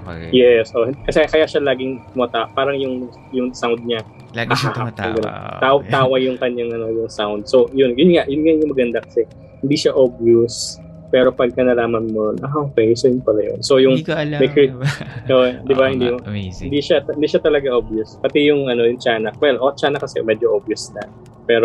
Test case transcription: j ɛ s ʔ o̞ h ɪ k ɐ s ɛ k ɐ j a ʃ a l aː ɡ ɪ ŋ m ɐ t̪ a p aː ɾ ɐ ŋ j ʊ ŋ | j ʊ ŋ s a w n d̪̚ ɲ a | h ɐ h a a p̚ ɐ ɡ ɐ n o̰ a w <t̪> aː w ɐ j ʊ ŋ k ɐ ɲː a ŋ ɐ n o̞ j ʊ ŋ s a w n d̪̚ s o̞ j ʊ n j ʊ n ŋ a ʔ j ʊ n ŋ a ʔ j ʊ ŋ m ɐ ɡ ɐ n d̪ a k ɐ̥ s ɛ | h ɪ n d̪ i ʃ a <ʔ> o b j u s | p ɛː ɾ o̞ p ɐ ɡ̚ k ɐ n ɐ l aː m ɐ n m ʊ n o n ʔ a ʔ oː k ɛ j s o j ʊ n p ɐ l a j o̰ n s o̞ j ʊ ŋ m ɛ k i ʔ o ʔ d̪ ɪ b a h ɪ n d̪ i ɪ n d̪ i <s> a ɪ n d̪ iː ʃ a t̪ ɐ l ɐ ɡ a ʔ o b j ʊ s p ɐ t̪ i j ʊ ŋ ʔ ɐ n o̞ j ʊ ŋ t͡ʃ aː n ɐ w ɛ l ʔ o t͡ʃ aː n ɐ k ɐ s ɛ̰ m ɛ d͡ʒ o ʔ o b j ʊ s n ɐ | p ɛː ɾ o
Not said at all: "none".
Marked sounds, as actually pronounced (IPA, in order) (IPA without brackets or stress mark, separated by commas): t̪, ʔ, ʃ